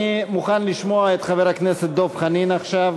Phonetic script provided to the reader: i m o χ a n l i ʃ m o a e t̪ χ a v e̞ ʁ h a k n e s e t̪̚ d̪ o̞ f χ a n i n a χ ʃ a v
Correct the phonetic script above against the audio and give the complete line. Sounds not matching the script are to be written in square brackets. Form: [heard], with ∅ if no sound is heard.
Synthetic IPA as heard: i m [u] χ a n l i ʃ m o a e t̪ χ a v e̞ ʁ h a k n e s e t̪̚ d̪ o̞ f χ a n i n a χ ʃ a v